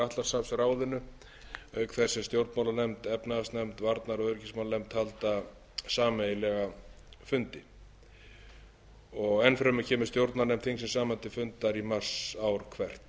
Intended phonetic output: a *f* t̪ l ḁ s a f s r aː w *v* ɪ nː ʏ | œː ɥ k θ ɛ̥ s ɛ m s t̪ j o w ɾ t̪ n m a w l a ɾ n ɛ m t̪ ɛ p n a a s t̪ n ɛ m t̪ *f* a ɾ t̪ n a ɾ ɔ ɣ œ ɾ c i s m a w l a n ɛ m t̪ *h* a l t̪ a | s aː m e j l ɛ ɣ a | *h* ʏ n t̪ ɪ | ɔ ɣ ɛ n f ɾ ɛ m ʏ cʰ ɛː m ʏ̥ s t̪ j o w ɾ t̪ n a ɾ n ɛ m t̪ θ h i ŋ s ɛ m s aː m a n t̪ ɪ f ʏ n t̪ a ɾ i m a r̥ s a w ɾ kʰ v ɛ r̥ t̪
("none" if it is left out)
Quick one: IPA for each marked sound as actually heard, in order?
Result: h, ð, v, h, f

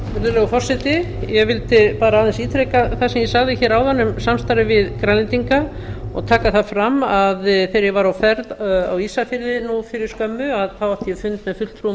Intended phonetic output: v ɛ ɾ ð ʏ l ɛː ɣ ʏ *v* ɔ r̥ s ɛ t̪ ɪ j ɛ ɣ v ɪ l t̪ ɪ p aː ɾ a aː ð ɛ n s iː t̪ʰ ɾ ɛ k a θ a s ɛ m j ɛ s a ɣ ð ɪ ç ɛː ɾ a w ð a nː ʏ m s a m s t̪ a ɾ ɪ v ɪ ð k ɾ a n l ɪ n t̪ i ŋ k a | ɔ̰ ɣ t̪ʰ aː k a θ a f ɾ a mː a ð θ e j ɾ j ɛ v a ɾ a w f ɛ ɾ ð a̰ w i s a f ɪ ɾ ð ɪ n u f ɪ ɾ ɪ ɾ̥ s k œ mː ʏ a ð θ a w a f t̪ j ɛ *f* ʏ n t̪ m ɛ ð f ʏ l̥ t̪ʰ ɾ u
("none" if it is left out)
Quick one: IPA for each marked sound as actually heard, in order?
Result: f, f

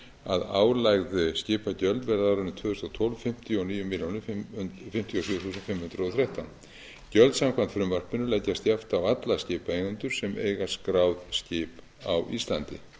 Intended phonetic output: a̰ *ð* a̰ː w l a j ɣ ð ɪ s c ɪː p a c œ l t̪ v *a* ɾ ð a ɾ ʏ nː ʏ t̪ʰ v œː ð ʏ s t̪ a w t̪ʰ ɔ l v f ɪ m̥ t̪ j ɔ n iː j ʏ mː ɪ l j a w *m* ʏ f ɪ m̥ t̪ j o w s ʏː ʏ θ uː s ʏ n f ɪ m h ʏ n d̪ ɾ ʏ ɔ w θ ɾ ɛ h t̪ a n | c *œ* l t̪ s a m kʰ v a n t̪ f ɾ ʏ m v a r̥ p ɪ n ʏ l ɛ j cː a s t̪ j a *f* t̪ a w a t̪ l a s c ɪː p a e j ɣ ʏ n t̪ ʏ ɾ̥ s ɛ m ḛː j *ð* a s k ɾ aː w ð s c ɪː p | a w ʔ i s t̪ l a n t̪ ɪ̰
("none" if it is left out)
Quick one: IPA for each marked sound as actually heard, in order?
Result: ð, ɛ, n, œ, f, ɣ

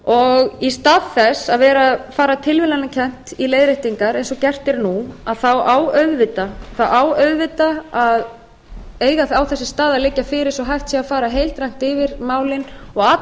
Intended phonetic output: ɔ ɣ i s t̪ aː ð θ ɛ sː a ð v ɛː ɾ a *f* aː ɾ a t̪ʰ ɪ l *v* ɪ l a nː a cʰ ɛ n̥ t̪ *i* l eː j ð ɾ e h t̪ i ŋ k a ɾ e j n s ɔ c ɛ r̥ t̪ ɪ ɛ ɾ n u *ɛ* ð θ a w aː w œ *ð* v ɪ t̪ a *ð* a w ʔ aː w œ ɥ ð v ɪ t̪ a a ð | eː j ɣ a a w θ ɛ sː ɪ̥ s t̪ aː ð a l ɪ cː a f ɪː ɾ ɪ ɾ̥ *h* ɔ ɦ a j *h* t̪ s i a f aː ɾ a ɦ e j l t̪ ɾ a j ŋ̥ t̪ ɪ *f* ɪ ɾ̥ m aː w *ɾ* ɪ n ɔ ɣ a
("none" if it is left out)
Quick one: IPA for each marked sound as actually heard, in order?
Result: f, v, i, a, ð, θ, s, f, v, l

